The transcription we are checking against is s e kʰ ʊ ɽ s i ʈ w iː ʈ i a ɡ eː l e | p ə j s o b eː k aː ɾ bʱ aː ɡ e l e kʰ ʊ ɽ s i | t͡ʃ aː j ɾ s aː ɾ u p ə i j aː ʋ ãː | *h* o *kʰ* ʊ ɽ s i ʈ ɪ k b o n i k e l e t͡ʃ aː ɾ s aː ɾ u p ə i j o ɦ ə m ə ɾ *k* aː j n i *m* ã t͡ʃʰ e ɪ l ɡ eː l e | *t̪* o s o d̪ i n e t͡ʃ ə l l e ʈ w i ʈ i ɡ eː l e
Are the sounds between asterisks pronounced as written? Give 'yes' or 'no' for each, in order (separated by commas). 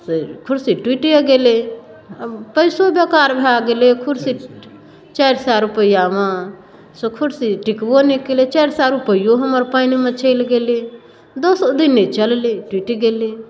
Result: no, yes, no, yes, no